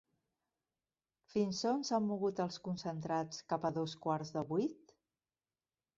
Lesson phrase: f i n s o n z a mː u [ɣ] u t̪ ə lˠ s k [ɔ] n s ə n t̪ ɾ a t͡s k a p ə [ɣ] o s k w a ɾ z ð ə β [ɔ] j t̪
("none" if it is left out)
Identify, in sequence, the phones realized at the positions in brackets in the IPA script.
ɣ, u, ð, u

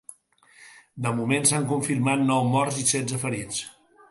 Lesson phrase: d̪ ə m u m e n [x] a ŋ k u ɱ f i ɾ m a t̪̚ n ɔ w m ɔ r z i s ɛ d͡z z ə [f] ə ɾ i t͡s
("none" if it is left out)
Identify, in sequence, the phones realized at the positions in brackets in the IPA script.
s, f

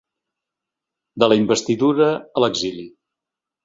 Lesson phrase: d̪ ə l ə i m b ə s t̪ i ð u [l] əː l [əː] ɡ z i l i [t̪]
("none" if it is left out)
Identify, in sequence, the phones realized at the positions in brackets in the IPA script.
ɾ, ə, none

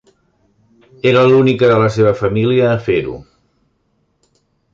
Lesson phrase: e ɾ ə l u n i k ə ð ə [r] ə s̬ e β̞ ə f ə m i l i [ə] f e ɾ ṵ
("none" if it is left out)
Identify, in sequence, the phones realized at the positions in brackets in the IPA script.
l, əː

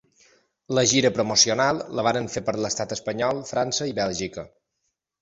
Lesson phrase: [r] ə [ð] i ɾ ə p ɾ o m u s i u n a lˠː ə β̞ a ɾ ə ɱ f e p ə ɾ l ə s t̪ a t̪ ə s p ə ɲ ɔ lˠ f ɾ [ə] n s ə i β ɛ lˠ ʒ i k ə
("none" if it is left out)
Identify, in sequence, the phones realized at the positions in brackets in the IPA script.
l, ʒ, a

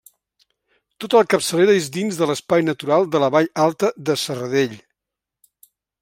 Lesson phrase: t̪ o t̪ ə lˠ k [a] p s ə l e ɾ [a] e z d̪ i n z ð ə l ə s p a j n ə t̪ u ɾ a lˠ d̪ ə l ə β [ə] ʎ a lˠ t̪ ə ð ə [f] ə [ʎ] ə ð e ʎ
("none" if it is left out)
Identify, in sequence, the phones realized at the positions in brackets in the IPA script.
ə, ə, a, s, r

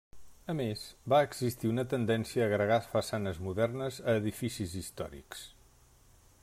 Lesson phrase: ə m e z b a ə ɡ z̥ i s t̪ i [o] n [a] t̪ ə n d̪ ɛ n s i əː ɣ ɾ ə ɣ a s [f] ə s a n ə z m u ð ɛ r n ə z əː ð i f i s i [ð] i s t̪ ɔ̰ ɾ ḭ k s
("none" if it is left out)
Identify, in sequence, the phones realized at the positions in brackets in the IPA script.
u, ə, f, z

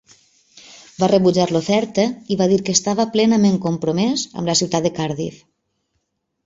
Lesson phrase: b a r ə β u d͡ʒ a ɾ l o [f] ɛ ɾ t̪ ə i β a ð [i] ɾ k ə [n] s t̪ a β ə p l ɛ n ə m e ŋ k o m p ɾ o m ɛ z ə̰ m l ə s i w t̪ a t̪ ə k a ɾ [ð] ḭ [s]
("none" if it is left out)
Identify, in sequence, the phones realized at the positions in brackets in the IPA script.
f, i, none, ð, f

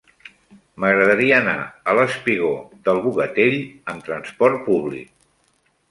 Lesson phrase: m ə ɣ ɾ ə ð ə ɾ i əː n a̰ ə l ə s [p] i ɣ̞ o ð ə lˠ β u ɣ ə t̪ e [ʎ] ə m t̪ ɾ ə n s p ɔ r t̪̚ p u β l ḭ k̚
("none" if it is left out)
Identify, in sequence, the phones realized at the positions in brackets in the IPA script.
p, ʎ

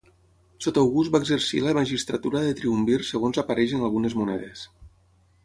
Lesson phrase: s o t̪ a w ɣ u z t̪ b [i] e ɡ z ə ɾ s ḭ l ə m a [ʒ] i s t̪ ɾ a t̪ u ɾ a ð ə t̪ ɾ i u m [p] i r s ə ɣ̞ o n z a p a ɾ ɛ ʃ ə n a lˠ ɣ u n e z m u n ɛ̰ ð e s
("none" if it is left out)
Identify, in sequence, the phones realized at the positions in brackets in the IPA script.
a, ʒ, b

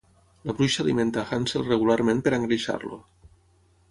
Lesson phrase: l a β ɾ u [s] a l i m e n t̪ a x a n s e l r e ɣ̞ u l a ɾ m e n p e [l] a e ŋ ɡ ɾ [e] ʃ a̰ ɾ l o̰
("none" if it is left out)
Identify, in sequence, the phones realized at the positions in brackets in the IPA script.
ʃ, ɾ, i

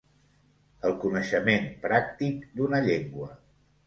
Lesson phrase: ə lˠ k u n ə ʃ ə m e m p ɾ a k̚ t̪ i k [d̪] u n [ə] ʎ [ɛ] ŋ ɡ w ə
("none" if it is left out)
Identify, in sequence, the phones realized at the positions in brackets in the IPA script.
d̪, ə, e

